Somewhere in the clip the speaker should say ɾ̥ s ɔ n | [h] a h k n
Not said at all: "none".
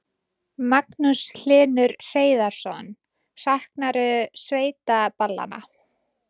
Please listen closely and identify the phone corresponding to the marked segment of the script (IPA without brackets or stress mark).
s